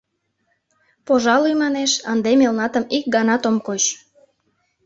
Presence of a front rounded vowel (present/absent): absent